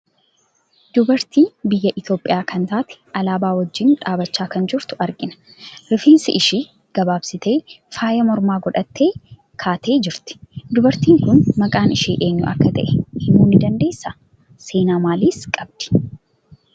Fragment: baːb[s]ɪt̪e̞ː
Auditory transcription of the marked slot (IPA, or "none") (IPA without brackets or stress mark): s